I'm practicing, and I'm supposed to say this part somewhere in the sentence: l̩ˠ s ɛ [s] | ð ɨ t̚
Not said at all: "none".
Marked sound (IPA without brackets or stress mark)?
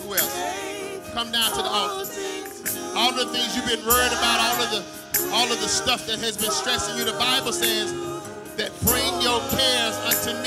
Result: z